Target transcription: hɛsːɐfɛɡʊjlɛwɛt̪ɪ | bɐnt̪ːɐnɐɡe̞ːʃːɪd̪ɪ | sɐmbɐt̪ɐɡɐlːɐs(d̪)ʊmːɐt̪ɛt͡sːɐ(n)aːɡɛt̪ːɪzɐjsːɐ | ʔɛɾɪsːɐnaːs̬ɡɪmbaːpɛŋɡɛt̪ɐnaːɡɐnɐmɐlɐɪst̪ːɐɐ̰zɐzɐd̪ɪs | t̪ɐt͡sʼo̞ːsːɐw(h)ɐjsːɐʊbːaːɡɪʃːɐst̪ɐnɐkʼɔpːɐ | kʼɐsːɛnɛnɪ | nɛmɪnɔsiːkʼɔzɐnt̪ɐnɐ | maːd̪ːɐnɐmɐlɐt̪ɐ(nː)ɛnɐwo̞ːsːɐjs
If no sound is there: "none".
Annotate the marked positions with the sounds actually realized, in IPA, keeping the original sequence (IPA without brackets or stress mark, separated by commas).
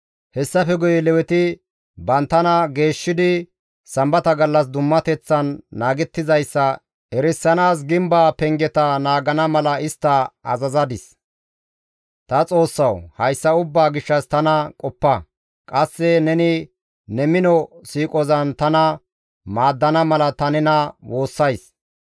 d̪, nː, h, n